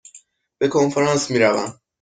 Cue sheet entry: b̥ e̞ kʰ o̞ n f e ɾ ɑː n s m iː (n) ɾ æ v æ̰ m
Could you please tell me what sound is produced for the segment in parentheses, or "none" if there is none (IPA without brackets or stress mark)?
none